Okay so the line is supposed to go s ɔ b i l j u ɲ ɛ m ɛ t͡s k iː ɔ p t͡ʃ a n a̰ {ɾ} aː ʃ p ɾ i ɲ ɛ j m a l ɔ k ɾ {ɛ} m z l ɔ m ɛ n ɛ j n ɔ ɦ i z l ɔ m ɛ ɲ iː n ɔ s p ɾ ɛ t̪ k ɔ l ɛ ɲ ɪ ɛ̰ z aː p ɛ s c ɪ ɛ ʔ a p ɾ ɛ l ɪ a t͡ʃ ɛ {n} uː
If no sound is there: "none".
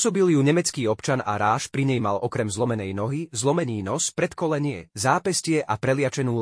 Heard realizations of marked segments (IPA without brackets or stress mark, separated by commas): ɾ, ɛ, n